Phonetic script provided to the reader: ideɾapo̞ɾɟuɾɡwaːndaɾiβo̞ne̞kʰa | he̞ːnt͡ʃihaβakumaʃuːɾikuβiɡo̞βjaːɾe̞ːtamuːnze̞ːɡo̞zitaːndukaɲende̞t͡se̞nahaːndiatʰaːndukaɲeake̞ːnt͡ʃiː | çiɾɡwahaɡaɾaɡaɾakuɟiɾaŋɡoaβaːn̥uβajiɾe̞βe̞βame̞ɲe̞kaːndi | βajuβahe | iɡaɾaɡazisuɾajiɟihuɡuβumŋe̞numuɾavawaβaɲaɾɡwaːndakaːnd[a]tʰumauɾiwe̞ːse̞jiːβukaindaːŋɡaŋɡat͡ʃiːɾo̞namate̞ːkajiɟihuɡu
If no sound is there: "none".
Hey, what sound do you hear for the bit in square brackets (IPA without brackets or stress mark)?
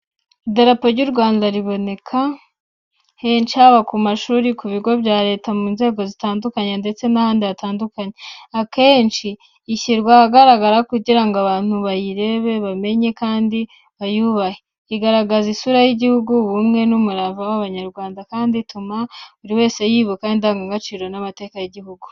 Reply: i